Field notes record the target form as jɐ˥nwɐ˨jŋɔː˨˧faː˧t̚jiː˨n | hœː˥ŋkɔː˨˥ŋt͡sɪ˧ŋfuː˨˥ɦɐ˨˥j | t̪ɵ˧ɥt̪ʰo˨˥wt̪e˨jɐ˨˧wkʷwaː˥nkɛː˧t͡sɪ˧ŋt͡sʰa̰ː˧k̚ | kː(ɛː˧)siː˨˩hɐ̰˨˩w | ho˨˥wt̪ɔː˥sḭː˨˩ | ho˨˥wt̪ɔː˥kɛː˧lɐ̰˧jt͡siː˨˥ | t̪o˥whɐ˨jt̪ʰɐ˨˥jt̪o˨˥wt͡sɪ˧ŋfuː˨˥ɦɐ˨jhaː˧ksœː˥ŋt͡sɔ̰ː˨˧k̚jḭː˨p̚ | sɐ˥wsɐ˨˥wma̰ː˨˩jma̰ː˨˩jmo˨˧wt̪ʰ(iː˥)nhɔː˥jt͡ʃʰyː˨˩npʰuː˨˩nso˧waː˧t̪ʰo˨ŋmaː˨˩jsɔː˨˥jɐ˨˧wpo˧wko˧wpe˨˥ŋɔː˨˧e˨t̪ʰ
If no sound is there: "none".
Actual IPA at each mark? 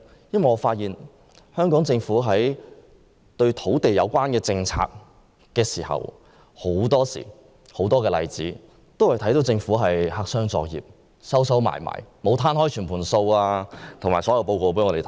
ɛː˧, aː˥

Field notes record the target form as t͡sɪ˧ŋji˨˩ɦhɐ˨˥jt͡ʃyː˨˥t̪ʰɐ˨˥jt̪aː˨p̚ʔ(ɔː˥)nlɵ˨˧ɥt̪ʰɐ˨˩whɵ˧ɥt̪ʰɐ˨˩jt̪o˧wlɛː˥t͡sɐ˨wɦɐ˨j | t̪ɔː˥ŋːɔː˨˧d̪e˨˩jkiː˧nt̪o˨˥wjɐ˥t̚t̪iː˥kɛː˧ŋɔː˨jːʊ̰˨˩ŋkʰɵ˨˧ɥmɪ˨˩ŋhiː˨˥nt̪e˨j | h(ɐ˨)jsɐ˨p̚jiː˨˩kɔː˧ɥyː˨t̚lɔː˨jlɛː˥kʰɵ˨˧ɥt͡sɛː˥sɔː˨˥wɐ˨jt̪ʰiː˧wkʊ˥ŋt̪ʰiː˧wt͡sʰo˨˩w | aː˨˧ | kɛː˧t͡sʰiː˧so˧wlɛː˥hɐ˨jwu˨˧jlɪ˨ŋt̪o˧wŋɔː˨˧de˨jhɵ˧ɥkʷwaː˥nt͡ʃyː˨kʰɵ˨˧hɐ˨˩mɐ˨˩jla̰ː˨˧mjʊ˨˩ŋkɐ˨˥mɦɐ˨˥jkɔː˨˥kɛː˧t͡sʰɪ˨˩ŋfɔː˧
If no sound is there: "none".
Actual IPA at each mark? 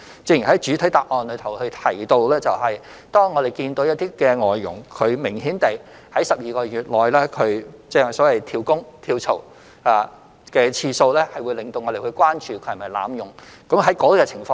ɔː˨˧, ɐ˨˥

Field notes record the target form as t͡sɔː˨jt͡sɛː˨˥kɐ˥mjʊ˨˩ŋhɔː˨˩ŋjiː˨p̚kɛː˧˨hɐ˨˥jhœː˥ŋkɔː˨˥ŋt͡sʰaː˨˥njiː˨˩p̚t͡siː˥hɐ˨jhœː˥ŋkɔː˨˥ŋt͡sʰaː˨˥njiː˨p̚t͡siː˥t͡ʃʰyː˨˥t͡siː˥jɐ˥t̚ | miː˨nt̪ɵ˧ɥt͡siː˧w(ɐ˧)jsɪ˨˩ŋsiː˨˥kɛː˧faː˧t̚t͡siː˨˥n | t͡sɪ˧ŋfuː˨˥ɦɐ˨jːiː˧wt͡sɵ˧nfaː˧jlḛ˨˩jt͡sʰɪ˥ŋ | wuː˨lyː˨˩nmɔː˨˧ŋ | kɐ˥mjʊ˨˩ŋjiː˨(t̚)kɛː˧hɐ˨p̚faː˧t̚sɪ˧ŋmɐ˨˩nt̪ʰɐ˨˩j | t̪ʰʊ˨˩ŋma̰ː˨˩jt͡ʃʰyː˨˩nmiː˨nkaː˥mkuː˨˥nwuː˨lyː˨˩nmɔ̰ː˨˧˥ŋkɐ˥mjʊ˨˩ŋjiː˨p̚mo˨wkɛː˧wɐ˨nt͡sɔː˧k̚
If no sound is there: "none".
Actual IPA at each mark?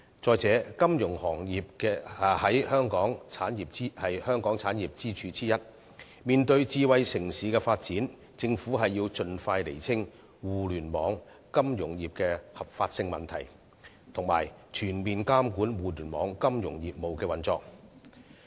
ɐ˧, p̚

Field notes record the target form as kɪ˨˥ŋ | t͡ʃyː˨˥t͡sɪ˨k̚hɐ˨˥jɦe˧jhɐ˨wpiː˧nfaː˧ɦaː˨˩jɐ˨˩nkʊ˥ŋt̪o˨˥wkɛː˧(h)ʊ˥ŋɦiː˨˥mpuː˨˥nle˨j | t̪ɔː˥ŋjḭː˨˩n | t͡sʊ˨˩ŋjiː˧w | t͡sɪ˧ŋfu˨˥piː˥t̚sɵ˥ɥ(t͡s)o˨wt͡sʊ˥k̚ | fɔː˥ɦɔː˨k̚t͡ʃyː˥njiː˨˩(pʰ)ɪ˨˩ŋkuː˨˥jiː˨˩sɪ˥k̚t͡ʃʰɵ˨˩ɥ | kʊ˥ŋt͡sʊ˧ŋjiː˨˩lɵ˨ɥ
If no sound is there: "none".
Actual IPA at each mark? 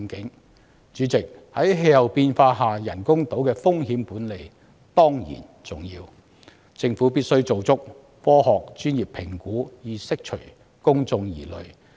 f, t͡s, pʰ

